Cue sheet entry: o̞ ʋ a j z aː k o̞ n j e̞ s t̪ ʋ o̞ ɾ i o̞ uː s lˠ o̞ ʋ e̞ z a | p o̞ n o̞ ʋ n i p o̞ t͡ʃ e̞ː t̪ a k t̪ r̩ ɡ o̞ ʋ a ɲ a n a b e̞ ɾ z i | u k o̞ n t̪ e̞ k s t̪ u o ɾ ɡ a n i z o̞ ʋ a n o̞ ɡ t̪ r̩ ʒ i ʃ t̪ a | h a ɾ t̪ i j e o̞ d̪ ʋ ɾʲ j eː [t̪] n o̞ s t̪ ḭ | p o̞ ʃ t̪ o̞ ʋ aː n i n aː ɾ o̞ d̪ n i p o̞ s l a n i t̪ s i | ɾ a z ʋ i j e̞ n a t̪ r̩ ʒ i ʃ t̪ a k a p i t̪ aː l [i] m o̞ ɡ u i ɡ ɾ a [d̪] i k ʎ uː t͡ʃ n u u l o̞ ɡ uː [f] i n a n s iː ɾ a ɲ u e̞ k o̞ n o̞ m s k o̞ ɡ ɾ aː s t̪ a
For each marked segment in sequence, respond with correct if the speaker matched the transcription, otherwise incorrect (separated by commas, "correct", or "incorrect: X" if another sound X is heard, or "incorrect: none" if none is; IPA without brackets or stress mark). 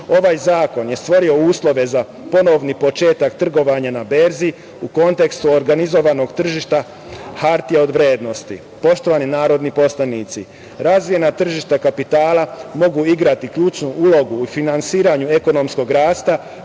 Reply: incorrect: d̪, incorrect: a, incorrect: t̪, correct